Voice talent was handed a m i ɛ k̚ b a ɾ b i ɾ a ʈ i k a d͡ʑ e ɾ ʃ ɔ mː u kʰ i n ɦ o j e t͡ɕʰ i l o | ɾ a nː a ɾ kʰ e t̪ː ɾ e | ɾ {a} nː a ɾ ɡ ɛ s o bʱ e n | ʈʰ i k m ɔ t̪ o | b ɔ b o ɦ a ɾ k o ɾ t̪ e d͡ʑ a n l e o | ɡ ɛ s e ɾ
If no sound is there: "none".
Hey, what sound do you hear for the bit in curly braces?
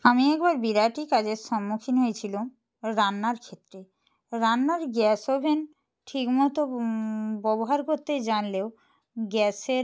a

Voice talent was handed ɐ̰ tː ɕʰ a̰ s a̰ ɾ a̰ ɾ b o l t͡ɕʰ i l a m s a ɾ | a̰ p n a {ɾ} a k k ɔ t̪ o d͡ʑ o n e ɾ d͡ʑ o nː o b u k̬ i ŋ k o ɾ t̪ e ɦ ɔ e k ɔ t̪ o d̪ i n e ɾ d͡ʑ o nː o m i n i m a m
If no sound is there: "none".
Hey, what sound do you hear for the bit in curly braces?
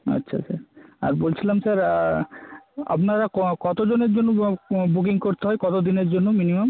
ɾ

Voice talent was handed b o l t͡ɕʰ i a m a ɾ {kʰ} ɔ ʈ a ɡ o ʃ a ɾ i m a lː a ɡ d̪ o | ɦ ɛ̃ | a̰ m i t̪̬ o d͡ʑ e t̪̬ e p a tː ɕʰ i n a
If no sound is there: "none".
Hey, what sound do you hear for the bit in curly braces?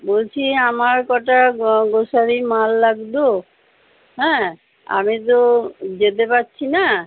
k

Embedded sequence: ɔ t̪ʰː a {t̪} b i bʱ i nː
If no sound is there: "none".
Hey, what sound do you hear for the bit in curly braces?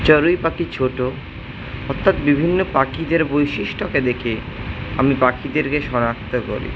t̪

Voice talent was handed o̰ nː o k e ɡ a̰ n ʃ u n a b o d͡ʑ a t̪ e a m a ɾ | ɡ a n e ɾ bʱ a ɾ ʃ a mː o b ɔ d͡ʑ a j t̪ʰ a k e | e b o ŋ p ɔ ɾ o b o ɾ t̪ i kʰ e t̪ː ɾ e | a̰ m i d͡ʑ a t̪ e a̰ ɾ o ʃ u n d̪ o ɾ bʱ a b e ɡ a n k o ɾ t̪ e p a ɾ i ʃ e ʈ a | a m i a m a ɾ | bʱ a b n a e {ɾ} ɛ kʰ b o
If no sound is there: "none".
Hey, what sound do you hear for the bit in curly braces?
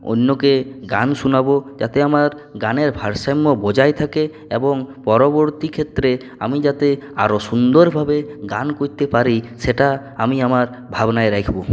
ɾ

